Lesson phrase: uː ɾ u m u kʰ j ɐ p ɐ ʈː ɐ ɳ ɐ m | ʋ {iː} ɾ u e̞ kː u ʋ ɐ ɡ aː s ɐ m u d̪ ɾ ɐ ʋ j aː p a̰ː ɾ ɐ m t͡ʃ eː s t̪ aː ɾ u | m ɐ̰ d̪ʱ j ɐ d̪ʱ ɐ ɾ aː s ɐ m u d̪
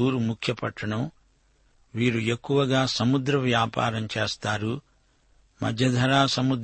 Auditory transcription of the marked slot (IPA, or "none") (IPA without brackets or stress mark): iː